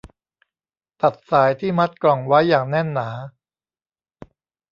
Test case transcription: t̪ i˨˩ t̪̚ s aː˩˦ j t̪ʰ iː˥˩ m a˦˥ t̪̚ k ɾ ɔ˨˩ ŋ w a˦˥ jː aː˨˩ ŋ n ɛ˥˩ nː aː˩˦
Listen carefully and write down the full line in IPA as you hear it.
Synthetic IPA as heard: t̪ a˨˩ t̪̚ s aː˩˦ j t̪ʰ iː˥˩ m a˦˥ t̪̚ k l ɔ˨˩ ŋ w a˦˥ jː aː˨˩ ŋ n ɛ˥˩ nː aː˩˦

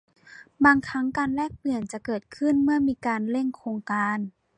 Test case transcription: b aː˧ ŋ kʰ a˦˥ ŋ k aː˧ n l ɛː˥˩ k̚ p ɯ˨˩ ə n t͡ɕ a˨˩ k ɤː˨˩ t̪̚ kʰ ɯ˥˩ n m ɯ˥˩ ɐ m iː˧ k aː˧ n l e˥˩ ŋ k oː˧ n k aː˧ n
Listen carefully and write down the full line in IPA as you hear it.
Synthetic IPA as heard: b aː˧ ŋ kʰ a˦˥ ŋ k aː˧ n l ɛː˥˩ k̚ p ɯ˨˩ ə n t͡ɕ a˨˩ k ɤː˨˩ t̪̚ kʰ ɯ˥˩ n m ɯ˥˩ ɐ m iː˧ k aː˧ n l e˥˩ ŋ kʰ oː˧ ŋ k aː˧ n

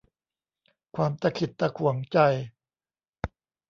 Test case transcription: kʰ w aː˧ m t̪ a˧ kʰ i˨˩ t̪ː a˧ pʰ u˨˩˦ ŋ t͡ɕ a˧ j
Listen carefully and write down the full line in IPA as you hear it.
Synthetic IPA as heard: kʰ w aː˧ m t̪ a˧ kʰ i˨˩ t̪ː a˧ kʰ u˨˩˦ ŋ t͡ɕ a˧ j

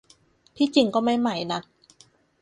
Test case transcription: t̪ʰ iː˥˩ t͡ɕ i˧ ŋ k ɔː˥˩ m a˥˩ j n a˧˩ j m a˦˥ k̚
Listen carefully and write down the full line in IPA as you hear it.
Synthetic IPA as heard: t̪ʰ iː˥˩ t͡ɕ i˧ ŋ k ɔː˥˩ m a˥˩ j m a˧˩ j n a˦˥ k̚

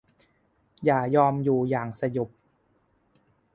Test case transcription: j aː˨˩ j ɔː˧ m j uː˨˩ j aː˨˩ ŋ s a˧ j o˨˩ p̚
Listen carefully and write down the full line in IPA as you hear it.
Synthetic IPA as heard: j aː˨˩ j ɔː˧ m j uː˨˩ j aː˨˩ ŋ s a˧ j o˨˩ p̚

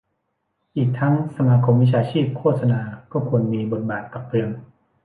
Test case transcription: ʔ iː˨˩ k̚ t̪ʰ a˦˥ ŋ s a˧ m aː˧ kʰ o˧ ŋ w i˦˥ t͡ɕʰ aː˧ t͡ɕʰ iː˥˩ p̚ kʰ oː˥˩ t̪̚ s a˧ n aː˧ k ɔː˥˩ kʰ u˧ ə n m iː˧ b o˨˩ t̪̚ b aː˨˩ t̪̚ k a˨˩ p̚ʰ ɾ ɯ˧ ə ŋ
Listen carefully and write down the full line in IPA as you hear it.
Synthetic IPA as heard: ʔ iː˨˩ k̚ t̪ʰ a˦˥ ŋ s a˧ m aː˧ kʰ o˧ m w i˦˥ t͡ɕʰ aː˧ t͡ɕʰ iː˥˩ p̚ kʰ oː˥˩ t̪̚ s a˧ n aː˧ k ɔː˥˩ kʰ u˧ ə n m iː˧ b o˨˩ t̪̚ b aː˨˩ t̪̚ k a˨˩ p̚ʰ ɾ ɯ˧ ə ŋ

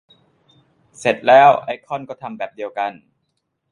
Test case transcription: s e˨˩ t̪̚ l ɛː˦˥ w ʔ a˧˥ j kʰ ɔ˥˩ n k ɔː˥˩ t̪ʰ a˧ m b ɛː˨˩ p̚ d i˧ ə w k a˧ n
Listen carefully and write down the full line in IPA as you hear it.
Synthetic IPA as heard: s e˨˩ t̪̚ l ɛː˦˥ w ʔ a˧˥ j kʰ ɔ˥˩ n k ɔː˥˩ t̪ʰ a˧ m b ɛː˨˩ p̚ d i˧ ə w k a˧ n

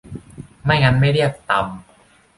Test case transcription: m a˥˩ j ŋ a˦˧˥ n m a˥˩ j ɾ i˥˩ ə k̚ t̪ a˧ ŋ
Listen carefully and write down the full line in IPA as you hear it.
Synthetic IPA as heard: m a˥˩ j ŋ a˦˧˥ n m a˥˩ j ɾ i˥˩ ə k̚ t̪ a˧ m

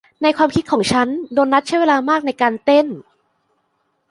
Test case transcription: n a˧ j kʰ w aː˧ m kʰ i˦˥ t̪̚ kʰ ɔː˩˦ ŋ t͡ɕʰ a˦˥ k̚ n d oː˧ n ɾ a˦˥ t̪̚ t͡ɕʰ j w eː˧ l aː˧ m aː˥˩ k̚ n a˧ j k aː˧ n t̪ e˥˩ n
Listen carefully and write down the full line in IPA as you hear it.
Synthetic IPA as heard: n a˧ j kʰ w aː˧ m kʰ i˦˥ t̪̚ kʰ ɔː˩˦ ŋ t͡ɕʰ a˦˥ n d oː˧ n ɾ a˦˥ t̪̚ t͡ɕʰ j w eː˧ l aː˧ m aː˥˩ k̚ n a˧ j k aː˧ n t̪ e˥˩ n

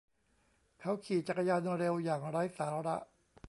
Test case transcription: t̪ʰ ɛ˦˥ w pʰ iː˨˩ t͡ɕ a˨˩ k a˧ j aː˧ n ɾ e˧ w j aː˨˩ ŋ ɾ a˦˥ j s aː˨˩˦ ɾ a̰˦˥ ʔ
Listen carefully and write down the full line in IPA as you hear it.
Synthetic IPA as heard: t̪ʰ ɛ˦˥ w kʰ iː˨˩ t͡ɕ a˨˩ k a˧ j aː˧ n ɾ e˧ w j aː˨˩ ŋ ɾ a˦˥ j s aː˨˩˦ ɾ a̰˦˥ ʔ

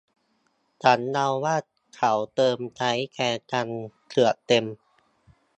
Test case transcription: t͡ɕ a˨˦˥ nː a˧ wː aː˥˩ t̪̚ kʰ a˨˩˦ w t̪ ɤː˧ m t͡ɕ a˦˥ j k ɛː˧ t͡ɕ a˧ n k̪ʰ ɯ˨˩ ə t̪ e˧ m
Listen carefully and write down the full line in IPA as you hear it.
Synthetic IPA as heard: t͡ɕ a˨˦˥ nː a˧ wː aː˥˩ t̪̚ kʰ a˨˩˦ w t̪ ɤː˧ m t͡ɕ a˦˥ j k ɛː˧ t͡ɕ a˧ n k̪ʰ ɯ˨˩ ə t̪ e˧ m

